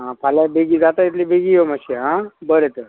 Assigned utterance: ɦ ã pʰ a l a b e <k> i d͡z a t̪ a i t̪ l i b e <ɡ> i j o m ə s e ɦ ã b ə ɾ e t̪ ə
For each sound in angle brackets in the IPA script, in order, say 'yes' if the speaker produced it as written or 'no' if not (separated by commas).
no, yes